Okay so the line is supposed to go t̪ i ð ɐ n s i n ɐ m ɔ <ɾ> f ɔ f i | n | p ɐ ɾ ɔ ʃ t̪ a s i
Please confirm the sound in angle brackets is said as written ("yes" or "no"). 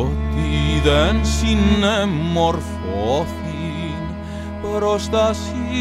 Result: yes